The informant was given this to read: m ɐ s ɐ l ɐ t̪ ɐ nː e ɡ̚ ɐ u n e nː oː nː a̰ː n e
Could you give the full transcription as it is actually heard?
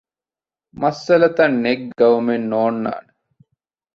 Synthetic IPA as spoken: m ɐ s ɐ l ɐ t̪ ɐ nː e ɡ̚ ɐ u m e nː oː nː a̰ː n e